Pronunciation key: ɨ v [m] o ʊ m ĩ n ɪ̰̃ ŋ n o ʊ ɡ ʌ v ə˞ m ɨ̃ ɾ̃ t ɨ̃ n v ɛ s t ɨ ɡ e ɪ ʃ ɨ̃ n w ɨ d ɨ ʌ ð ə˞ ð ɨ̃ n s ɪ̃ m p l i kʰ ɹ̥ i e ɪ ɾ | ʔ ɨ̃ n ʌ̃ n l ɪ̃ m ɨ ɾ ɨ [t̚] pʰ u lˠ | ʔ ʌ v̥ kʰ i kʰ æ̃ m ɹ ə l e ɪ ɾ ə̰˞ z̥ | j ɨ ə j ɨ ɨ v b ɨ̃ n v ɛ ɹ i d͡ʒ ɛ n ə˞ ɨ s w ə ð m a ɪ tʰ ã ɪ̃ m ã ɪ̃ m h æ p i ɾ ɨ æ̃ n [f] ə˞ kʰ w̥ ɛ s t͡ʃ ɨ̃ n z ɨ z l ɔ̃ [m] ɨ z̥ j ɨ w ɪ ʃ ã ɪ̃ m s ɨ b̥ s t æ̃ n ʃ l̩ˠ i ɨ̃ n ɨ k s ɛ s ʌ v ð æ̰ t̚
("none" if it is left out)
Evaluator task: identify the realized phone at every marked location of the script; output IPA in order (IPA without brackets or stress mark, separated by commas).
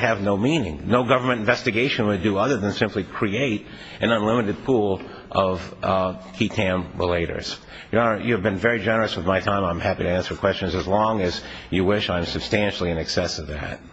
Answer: n, d̚, s, ŋ